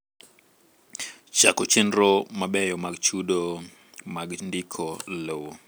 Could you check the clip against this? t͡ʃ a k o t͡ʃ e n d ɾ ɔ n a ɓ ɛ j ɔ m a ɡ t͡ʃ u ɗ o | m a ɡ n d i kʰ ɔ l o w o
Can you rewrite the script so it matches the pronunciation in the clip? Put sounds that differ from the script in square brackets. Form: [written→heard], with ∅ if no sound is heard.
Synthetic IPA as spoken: t͡ʃ a k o t͡ʃ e n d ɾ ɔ [n→m] a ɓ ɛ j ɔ m a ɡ t͡ʃ u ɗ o | m a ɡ n d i kʰ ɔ l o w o